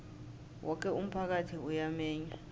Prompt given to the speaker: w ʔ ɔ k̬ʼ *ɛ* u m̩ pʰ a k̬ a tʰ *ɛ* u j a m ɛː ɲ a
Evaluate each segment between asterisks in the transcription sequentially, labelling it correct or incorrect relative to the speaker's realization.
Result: correct, incorrect

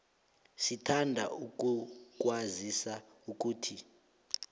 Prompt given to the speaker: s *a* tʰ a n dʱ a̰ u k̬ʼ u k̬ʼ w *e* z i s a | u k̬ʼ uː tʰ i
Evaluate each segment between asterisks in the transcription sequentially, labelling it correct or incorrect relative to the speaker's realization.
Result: incorrect, incorrect

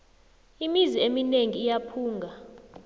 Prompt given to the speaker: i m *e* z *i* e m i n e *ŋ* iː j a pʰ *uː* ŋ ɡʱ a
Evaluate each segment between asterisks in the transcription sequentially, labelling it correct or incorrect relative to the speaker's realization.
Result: incorrect, correct, correct, correct

